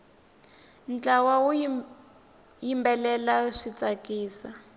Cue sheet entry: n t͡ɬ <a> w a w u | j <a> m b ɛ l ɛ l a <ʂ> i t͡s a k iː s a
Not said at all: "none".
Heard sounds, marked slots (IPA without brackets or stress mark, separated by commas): a, i, ʂ